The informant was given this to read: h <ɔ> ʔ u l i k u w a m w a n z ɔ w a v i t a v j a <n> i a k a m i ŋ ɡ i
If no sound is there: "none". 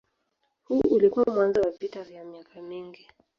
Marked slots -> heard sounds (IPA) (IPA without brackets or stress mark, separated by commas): u, m